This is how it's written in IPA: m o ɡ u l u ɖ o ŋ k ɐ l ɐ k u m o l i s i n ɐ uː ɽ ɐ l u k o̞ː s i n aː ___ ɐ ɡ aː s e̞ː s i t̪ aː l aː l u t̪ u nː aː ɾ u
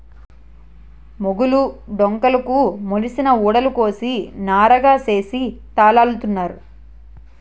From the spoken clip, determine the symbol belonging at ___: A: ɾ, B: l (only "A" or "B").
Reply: A